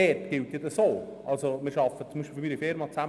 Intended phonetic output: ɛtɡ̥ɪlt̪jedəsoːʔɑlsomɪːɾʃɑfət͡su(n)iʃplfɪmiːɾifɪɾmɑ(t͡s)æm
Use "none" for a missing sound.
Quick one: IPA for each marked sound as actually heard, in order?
m, t͡s

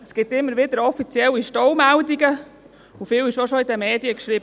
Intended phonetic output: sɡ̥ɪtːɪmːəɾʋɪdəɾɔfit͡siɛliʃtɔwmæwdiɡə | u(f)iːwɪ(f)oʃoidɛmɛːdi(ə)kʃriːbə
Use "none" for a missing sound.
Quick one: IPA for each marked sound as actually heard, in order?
f, ʃ, ə

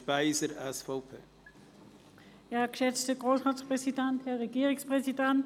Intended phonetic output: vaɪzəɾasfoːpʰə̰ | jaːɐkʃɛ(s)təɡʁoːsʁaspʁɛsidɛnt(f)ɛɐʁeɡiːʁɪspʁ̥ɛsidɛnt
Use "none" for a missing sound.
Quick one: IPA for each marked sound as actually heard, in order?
t͡s, h

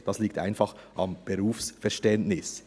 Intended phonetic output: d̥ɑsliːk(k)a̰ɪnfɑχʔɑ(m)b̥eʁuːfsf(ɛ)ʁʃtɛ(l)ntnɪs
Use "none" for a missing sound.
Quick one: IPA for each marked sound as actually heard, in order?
t, m, ɛ, none

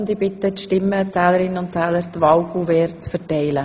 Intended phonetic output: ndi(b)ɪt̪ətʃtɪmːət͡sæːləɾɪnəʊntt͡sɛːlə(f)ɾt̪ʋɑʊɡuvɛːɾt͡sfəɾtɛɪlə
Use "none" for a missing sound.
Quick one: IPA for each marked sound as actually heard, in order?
b, none

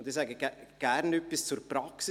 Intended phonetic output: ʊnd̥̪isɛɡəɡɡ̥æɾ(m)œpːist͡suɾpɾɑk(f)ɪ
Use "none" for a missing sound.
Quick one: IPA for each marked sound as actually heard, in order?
n, s

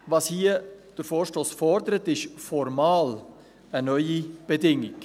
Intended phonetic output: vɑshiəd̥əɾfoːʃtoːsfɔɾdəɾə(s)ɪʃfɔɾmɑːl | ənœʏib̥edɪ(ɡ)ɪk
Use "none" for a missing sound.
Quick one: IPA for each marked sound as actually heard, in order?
t, ŋ

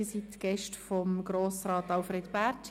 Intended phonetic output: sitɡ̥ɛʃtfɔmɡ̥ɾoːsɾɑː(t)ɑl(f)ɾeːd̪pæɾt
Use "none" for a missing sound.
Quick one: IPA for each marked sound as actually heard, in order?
t, f

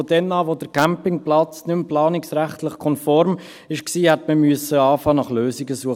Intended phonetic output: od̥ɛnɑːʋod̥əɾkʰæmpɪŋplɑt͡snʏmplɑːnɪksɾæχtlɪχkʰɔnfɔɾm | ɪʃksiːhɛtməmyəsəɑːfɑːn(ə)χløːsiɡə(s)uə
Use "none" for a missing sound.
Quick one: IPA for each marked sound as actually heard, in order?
ɑ, s

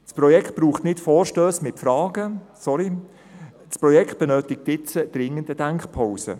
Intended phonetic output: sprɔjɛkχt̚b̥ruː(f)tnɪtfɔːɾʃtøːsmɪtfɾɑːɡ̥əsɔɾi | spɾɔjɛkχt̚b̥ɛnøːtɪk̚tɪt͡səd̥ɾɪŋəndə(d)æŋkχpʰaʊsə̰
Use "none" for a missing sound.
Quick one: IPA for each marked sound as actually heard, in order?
χ, d

